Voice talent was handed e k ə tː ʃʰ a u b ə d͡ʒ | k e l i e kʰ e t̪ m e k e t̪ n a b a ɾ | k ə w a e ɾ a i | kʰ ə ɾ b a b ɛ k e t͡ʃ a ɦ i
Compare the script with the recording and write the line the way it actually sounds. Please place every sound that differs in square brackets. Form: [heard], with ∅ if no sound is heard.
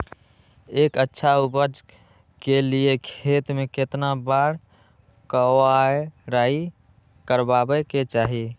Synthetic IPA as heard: e k ə tː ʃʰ a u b ə d͡ʒ | k e l i e kʰ e t̪ m e k e t̪ n a b a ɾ | k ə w a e ɾ a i | [k] ə ɾ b a b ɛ k e t͡ʃ a ɦ i